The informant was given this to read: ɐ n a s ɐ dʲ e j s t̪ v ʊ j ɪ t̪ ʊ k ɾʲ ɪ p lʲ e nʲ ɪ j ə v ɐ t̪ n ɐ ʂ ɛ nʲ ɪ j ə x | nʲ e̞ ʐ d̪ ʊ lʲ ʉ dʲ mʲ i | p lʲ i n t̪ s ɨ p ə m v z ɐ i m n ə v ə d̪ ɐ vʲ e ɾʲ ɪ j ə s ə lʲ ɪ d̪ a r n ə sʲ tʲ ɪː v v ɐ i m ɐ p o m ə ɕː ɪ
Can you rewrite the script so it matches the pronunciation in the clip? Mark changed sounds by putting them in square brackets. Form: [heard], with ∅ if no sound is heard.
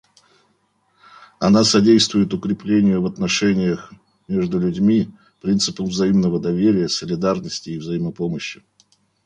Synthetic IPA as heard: ɐ n a s ɐ dʲ e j s t̪ v ʊ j ɪ t̪ ʊ k ɾʲ ɪ p lʲ e nʲ ɪ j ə v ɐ t̪ n ɐ ʂ ɛ nʲ ɪ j ə x | [mʲ] e̞ ʐ d̪ ʊ lʲ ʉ dʲ mʲ i | p [ɾʲ] i n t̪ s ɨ p ə m v z ɐ i m n ə v ə d̪ ɐ vʲ e ɾʲ ɪ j ə s ə lʲ ɪ d̪ a r n ə sʲ tʲ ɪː v [z] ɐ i m [ə] p o m ə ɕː ɪ

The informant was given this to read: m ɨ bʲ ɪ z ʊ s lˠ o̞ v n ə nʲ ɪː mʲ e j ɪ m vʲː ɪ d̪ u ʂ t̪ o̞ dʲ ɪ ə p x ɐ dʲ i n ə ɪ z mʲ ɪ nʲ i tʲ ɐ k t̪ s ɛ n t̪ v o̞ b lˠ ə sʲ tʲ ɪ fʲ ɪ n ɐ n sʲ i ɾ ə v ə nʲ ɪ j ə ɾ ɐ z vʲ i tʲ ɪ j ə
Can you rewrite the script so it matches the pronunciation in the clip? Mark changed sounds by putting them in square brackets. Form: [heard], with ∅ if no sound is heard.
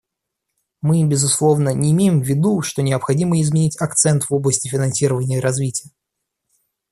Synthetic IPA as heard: m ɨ bʲ ɪ z ʊ s lˠ o̞ v n ə nʲ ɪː mʲ e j ɪ m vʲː ɪ d̪ u ʂ t̪ o̞ [nʲ] ɪ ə p x ɐ dʲ i [m] ə ɪ z mʲ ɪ nʲ i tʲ ɐ k t̪ s ɛ n t̪ v o̞ b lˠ ə sʲ tʲ ɪ fʲ ɪ n ɐ n sʲ i ɾ ə v ə nʲ ɪ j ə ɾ ɐ z vʲ i tʲ ɪ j ə

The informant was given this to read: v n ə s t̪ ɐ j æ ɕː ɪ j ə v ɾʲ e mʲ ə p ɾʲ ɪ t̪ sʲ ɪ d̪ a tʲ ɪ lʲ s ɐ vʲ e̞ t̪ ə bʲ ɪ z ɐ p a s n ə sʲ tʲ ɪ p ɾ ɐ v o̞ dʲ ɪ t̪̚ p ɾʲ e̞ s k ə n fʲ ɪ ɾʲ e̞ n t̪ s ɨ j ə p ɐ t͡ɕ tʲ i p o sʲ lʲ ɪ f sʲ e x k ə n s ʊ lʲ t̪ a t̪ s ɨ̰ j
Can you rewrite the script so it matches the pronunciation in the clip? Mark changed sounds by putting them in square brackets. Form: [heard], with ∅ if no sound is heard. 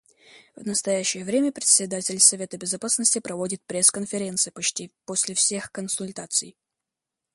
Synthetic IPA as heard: v n ə s t̪ ɐ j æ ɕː ɪ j ə v ɾʲ e mʲ ə p ɾʲ ɪ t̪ sʲ ɪ d̪ a tʲ ɪ lʲ s ɐ vʲ e̞ t̪ ə bʲ ɪ z ɐ p a s n ə sʲ tʲ ɪ p ɾ ɐ v o̞ dʲ ɪ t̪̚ p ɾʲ e̞ s k ə n fʲ ɪ ɾʲ e̞ n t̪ s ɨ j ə p ɐ t͡ɕ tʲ i p o sʲ lʲ ɪ f sʲ e x k ə n s ʊ lʲ t̪ a t̪ s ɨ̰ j

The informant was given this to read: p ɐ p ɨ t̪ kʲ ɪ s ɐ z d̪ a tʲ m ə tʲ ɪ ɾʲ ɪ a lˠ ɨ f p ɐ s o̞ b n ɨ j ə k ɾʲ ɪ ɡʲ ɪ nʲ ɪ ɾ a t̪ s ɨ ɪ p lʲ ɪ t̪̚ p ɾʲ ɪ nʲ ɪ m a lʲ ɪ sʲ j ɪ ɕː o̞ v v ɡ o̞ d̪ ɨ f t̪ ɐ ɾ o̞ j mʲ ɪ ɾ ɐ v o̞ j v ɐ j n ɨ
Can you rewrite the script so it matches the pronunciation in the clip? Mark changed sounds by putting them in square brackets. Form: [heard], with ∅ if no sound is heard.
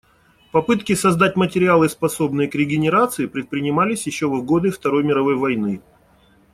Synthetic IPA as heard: p ɐ p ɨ t̪ kʲ ɪ s ɐ z d̪ a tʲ m ə tʲ ɪ ɾʲ ɪ a lˠ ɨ [s] p ɐ s o̞ b n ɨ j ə k ɾʲ ɪ ɡʲ ɪ nʲ ɪ ɾ a t̪ s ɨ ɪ p [ɾʲ] ɪ t̪̚ p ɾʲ ɪ nʲ ɪ m a lʲ ɪ sʲ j ɪ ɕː o̞ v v ɡ o̞ d̪ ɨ f t̪ ɐ ɾ o̞ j mʲ ɪ ɾ ɐ v o̞ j v ɐ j n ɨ

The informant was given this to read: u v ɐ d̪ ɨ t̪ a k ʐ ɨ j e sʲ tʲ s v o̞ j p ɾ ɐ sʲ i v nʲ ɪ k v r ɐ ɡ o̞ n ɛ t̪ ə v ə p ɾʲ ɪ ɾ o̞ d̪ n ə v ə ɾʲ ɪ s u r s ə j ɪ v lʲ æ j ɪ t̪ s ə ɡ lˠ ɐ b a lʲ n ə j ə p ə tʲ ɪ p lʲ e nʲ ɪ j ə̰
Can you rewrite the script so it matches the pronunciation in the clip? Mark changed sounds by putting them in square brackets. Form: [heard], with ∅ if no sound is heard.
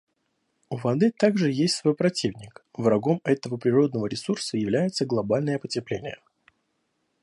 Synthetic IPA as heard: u v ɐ d̪ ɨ t̪ a [ɡ] ʐ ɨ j e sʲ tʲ s v o̞ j p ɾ ɐ [tʲ] i v nʲ ɪ k v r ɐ ɡ o̞ [m] ɛ t̪ ə v ə p ɾʲ ɪ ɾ o̞ d̪ n ə v ə ɾʲ ɪ s u r s ə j ɪ v lʲ æ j ɪ t̪ s ə ɡ lˠ ɐ b a lʲ n ə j ə p ə tʲ ɪ p lʲ e nʲ ɪ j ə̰

